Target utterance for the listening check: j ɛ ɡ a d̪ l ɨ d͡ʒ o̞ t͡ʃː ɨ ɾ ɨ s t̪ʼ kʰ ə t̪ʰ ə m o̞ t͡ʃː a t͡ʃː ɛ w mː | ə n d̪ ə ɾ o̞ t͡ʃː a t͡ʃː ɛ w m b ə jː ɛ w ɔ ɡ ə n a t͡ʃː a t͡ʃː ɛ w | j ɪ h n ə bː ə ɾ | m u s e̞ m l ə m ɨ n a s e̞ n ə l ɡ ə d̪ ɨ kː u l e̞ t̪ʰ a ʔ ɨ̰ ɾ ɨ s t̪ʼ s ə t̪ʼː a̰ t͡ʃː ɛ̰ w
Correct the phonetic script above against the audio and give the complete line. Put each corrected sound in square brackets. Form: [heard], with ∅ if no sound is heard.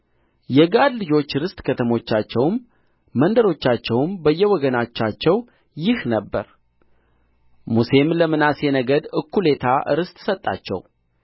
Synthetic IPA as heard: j ɛ ɡ a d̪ l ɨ d͡ʒ o̞ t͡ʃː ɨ ɾ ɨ s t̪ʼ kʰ ə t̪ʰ ə m o̞ t͡ʃː a t͡ʃː ɛ w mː | ə n d̪ ə ɾ o̞ t͡ʃː a t͡ʃː ɛ w m b ə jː ɛ w ɔ ɡ ə n a t͡ʃː a t͡ʃː ɛ w | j ɪ h n ə bː ə ɾ | m u s e̞ m l ə m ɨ n a s e̞ n ə [∅] ɡ ə d̪ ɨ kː u l e̞ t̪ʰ a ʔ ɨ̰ ɾ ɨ s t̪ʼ s ə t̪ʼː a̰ t͡ʃː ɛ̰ w

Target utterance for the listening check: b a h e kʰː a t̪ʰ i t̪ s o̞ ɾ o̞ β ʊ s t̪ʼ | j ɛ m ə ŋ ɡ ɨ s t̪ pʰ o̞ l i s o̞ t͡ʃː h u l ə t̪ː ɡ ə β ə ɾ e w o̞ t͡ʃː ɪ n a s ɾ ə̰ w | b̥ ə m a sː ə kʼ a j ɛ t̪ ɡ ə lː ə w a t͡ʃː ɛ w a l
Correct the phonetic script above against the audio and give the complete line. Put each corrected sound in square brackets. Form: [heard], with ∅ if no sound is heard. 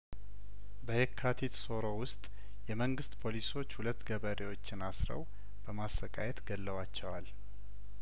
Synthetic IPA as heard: b [ə] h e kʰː a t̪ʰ i t̪ s o̞ ɾ o̞ [w] ʊ s t̪ʼ | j ɛ m ə ŋ ɡ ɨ s t̪ pʰ o̞ l i s o̞ t͡ʃː h u l ə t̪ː ɡ ə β ə ɾ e w o̞ t͡ʃː ɪ n a s ɾ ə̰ w | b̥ ə m a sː ə kʼ a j ɛ t̪ ɡ ə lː ə w a t͡ʃː ɛ w a l

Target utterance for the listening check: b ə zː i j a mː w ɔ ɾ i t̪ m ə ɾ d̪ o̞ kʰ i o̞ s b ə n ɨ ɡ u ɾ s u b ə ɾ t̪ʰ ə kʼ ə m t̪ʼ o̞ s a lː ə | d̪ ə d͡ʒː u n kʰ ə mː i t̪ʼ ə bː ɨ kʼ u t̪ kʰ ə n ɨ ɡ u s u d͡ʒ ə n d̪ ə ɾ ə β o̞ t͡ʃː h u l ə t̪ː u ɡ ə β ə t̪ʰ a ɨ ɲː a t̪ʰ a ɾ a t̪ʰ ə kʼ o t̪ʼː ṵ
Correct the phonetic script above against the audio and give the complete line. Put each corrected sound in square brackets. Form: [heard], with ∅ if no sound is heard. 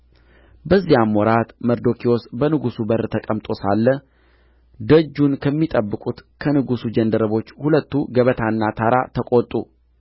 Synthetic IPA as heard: b ə zː i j a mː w ɔ ɾ [a] t̪ m ə ɾ d̪ o̞ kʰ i o̞ s b ə n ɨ ɡ u [∅] s u b ə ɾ t̪ʰ ə kʼ ə m t̪ʼ o̞ s a lː ə | d̪ ə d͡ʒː u n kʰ ə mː i t̪ʼ ə bː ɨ kʼ u t̪ kʰ ə n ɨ ɡ u s u d͡ʒ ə n d̪ ə ɾ ə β o̞ t͡ʃː h u l ə t̪ː u ɡ ə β ə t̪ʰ a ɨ [nː] a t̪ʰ a ɾ a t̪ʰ ə kʼ o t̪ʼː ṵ

